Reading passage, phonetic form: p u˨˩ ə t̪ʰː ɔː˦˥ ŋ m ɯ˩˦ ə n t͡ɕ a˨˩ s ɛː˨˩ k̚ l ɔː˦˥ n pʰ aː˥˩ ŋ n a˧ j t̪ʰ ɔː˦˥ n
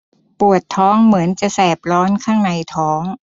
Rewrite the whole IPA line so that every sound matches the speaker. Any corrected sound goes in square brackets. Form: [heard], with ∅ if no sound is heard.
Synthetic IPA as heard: p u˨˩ ə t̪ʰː ɔː˦˥ ŋ m ɯ˩˦ ə n t͡ɕ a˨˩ s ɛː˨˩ [p̚] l ɔː˦˥ n [kʰ] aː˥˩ ŋ n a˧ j t̪ʰ ɔː˦˥ [ŋ]